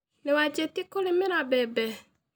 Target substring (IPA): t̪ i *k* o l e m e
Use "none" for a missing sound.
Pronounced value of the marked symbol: k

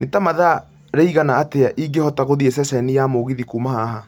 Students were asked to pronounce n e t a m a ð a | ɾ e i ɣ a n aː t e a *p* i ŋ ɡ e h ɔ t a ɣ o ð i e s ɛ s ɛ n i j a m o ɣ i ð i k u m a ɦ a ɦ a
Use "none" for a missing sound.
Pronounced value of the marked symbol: ʔ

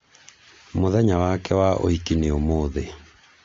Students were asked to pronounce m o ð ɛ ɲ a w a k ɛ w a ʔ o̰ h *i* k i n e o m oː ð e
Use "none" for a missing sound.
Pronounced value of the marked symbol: i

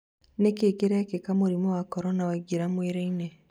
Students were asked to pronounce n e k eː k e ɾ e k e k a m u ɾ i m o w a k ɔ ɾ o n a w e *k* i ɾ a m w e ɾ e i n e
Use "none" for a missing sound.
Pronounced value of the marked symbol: ɡ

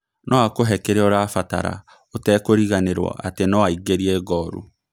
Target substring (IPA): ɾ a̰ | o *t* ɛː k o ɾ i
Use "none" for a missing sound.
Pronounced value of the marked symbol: t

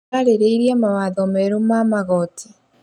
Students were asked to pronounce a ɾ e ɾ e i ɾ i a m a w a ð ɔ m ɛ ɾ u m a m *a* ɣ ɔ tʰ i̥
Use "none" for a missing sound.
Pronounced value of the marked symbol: a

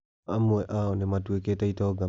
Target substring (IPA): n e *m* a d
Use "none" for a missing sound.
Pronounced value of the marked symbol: m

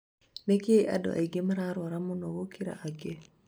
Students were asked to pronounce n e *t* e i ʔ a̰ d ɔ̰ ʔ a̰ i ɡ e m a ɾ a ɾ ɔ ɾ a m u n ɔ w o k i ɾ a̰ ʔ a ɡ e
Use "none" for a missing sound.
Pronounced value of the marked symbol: k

